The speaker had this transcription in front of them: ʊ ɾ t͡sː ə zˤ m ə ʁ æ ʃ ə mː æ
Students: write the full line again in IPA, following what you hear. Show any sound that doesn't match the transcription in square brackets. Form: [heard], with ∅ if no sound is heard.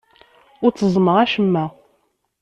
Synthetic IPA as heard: ʊ ɾ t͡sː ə zˤ m ə ʁ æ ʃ ə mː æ